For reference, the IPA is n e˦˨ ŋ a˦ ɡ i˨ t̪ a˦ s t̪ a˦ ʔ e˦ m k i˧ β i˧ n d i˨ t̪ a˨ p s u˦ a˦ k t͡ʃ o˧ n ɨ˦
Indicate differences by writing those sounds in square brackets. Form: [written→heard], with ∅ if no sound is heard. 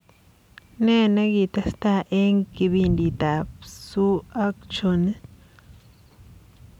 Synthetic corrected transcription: n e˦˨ [ŋ→n] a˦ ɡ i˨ t̪ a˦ s t̪ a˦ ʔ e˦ [m→ŋ] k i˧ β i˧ n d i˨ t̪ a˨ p s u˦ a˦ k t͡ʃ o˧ n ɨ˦